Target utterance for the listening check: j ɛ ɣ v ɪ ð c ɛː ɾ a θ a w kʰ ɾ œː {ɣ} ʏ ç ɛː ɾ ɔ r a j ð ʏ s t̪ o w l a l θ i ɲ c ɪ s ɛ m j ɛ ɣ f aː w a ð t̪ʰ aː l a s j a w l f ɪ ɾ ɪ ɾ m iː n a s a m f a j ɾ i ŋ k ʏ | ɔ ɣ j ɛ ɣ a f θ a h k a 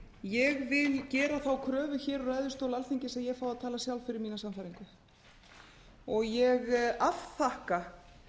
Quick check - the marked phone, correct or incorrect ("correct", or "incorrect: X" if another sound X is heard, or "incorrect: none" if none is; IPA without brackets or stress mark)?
incorrect: v